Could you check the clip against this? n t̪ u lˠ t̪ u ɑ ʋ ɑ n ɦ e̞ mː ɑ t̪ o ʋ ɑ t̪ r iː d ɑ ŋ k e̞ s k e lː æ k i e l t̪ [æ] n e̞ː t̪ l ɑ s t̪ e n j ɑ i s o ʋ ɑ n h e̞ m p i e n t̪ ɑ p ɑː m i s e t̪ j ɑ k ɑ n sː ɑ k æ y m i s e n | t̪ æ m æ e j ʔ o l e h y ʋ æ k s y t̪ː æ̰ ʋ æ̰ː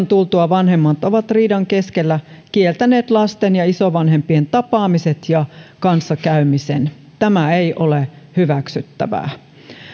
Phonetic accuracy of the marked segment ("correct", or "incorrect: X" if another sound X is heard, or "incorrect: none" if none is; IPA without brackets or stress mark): correct